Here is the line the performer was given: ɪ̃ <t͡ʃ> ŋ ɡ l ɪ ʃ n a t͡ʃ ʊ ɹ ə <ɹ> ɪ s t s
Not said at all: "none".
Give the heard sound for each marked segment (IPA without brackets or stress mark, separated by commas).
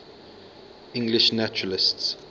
none, l